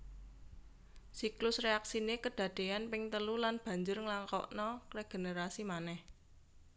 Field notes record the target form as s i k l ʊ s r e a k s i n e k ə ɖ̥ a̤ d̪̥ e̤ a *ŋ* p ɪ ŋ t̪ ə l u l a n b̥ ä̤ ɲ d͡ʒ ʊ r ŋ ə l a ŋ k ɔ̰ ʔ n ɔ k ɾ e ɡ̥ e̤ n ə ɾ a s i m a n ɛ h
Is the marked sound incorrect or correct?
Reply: incorrect